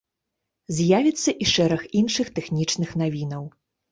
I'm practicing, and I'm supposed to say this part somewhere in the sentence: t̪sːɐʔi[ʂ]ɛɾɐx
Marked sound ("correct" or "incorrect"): correct